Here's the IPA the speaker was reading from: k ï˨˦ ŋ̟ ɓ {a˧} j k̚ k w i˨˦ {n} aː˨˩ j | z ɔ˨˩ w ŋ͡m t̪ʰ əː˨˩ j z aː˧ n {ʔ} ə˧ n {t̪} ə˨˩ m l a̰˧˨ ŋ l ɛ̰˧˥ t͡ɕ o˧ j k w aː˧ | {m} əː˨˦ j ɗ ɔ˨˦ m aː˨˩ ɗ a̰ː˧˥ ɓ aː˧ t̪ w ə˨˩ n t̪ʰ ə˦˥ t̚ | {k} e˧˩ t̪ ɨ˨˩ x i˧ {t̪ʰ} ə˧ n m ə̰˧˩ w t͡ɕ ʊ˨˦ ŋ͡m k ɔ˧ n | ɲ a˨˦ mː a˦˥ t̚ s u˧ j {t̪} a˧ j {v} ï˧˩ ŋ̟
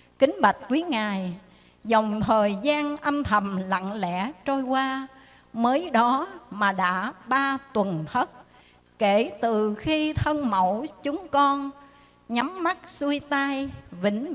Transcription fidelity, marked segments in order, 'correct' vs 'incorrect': incorrect: a˨˩, incorrect: ŋ, correct, incorrect: t̪ʰ, correct, correct, correct, correct, correct

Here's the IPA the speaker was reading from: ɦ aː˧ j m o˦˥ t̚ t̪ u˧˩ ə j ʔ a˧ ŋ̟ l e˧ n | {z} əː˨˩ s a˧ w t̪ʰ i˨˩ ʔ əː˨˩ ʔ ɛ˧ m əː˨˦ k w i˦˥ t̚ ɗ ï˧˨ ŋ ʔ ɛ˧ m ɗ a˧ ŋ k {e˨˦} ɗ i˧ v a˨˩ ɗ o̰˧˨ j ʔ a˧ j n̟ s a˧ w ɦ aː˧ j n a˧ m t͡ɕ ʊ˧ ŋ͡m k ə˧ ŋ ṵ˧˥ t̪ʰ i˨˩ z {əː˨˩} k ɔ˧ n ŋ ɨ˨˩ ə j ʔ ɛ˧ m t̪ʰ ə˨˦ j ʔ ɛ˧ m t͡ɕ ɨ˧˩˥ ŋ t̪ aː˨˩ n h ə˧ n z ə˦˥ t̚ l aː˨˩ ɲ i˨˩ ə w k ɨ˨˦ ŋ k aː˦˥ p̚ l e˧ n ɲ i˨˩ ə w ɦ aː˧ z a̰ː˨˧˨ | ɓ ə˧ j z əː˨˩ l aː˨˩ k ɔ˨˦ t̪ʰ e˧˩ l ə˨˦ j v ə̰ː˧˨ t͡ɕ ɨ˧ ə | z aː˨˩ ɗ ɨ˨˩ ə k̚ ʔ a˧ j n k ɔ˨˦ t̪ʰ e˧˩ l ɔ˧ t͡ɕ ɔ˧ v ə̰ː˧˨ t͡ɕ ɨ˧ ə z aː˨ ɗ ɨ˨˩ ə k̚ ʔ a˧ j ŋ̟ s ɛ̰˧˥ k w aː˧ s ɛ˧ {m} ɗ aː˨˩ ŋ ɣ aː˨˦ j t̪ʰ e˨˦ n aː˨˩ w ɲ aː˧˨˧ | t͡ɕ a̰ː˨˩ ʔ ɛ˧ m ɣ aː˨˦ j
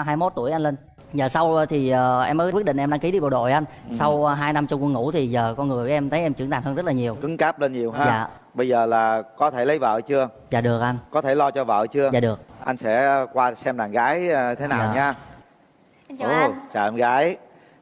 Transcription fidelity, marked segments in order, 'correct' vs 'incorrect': correct, incorrect: i˨˦, correct, correct

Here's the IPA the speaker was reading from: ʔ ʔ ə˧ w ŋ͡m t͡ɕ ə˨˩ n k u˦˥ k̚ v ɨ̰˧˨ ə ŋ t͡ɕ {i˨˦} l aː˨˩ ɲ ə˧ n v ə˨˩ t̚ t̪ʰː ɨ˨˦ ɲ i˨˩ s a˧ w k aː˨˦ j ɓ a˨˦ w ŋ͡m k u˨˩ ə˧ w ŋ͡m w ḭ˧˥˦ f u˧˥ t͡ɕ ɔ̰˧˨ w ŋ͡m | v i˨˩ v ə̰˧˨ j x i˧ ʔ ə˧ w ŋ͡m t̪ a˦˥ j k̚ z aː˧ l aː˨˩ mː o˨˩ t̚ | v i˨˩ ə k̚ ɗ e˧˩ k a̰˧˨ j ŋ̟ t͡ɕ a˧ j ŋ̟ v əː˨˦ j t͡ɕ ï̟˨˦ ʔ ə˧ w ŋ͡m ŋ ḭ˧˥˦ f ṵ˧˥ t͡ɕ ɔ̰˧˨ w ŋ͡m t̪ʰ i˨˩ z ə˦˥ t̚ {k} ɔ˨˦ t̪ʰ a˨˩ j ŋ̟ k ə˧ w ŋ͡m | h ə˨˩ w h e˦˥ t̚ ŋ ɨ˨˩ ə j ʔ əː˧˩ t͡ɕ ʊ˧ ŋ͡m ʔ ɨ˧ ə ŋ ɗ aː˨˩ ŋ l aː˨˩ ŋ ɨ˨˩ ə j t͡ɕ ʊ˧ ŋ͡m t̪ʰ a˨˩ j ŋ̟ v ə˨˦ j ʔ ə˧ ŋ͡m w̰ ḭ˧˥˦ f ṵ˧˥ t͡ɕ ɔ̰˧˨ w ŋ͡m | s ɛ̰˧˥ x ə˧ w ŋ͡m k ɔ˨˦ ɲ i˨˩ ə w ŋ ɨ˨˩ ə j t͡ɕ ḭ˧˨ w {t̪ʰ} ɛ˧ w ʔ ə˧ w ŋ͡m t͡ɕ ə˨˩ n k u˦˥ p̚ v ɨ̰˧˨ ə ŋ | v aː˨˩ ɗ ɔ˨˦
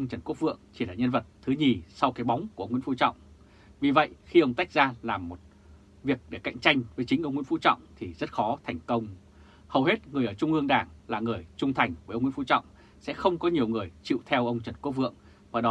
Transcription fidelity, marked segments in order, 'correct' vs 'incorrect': incorrect: i˧˩, incorrect: x, correct

